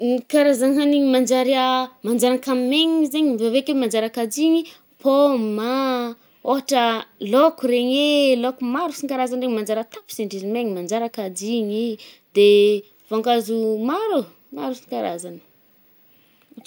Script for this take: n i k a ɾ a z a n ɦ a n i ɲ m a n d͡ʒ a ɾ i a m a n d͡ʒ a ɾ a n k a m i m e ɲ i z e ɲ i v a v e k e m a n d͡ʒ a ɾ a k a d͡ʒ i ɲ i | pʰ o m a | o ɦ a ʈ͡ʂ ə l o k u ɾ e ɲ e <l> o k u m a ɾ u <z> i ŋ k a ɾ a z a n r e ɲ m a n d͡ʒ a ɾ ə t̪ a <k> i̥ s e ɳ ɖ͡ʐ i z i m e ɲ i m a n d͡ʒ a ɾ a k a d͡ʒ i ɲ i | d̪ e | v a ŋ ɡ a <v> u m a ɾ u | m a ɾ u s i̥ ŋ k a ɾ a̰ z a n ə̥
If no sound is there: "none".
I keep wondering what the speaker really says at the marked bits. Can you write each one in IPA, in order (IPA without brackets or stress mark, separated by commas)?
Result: l, s, p, z